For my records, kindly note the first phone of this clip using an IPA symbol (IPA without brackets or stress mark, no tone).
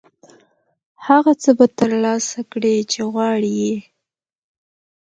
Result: h